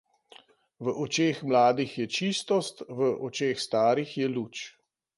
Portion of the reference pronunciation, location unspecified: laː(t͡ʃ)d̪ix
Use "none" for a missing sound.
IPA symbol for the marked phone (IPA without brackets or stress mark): none